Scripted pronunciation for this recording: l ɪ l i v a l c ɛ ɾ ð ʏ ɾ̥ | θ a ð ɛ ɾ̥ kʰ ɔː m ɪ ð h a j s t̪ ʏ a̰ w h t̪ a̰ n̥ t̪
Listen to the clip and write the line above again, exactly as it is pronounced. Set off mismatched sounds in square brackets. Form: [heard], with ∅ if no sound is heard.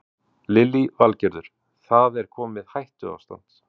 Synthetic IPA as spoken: l ɪ l i v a l c ɛ ɾ ð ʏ ɾ̥ | θ a ð ɛ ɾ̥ kʰ ɔː m ɪ ð h a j [h] t̪ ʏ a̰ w [s] t̪ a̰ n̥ t̪